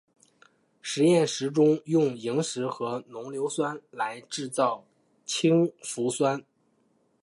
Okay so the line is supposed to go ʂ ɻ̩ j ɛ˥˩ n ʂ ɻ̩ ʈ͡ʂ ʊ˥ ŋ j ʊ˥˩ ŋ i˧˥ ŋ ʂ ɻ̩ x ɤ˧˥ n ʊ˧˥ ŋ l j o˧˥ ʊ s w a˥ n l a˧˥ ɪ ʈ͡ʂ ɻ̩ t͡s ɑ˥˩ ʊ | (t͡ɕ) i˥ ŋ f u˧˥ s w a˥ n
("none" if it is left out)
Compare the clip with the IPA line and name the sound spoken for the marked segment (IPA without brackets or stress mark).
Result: t͡ɕʰ